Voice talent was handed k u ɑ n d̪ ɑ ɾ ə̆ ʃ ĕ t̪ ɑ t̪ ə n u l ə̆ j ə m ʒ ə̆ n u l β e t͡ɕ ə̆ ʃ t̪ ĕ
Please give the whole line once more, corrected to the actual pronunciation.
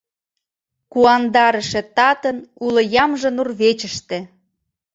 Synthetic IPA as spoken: k u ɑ n d̪ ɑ ɾ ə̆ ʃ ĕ t̪ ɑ t̪ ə n u l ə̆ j ɑ m ʒ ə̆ n u r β e t͡ɕ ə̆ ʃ t̪ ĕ